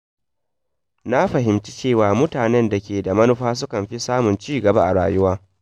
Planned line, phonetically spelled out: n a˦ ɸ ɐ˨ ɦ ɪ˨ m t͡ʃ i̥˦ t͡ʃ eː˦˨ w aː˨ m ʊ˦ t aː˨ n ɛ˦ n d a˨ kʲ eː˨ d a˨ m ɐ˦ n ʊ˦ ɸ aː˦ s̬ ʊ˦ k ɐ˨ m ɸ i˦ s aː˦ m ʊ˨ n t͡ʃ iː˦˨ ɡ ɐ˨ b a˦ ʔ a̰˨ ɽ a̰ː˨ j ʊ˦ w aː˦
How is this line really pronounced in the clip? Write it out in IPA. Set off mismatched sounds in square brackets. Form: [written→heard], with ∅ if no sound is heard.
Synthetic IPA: n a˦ ɸ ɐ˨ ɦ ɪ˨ m t͡ʃ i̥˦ t͡ʃ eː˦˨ w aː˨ m ʊ˦ t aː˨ n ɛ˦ n d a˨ kʲ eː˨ d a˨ m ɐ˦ n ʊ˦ ɸ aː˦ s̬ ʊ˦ k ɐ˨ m ɸ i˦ s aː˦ m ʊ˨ n t͡ʃ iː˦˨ ɡ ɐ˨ b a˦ ʔ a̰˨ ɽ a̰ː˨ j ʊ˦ w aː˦